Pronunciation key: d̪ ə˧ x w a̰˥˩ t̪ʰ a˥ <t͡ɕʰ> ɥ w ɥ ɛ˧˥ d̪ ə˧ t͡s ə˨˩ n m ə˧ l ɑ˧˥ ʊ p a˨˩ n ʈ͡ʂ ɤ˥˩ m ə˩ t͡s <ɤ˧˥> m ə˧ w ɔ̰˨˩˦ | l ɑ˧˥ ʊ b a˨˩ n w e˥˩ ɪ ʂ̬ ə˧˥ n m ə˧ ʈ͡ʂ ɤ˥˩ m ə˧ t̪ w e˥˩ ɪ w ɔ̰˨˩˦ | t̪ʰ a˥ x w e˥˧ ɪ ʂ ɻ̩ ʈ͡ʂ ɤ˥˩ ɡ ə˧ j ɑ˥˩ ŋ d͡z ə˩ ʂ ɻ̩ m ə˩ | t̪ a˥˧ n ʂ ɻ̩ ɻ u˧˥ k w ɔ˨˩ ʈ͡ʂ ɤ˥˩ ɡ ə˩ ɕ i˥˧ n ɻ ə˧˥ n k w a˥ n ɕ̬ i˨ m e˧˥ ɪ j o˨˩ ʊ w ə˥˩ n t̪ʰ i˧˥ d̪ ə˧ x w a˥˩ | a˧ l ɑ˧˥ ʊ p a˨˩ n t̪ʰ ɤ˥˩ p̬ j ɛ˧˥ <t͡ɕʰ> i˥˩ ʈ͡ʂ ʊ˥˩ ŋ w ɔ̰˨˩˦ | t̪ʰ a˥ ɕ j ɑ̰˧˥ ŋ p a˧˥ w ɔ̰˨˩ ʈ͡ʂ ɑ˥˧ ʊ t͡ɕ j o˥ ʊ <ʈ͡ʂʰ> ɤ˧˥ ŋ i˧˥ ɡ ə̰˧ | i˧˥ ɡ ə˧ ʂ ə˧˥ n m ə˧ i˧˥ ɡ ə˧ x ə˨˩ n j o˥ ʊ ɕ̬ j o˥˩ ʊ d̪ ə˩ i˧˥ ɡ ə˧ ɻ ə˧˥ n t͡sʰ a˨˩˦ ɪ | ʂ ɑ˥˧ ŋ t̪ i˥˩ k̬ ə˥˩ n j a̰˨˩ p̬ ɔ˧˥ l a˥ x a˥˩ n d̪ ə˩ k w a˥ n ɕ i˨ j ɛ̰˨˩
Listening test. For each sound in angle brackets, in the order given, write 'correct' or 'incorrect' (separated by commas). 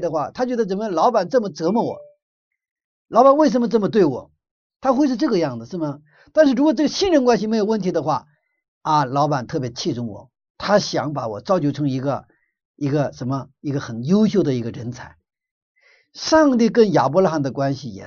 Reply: incorrect, correct, correct, correct